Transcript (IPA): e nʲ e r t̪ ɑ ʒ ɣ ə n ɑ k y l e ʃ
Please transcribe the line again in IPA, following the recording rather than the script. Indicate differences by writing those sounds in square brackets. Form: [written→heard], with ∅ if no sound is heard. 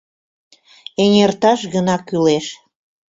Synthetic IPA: e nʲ e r t̪ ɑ [ʒ→ʃ] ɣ ə n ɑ k y l e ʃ